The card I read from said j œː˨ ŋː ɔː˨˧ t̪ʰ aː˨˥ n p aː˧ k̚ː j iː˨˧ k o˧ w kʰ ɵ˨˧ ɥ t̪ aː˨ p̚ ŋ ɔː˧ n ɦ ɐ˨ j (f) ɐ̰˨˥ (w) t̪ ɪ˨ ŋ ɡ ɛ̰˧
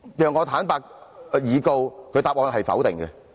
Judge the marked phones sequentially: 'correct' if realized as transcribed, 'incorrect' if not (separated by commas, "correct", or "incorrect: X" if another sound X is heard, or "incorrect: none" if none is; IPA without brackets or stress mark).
correct, correct